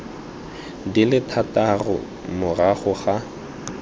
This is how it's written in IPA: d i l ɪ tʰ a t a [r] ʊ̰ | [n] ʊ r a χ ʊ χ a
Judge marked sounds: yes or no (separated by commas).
yes, no